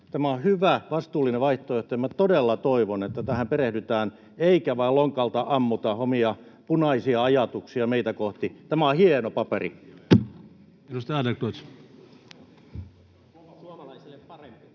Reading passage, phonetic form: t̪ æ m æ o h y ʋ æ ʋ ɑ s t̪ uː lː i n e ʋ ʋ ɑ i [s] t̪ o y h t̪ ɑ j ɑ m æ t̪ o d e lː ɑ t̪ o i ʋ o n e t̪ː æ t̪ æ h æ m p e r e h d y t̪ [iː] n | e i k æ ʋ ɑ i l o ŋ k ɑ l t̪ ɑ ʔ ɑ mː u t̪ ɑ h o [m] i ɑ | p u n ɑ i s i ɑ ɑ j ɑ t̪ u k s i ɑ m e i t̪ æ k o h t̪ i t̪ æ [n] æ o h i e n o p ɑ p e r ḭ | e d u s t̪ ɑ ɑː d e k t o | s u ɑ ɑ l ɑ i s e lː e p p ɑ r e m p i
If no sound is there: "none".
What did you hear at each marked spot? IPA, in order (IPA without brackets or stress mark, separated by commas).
h, æː, m, m